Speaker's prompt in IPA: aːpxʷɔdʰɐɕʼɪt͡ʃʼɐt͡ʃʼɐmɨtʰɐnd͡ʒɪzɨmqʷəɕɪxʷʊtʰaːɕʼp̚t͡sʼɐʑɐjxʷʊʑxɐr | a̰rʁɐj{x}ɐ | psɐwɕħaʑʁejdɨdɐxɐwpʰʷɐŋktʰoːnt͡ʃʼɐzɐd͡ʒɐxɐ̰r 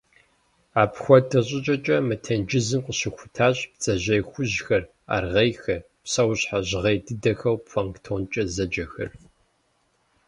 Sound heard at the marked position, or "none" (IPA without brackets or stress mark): x